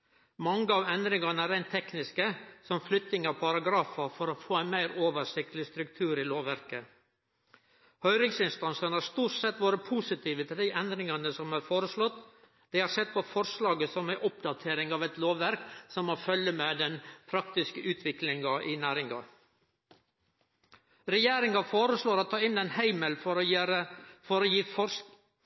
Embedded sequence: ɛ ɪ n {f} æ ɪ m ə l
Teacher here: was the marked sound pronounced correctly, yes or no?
no